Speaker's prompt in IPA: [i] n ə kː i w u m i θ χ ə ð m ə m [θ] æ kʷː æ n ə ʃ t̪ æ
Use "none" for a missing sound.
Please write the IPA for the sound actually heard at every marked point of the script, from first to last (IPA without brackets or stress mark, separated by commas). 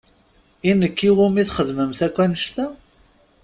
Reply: i, θ